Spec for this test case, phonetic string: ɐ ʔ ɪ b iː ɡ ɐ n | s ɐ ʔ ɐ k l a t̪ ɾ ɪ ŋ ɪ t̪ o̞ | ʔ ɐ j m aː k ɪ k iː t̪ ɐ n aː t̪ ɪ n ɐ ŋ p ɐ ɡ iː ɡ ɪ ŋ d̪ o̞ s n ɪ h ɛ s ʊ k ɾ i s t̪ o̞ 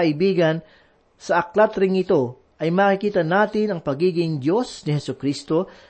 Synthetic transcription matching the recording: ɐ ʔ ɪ b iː ɡ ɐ n | s ɐ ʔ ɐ k l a t̪ ɾ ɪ ŋ ɪ t̪ o̞ | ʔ ɐ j m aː k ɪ k iː t̪ ɐ n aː t̪ ɪ n ɐ ŋ p ɐ ɡ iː ɡ ɪ ŋ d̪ o̞ s n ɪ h ɛ s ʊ k ɾ i s t̪ o̞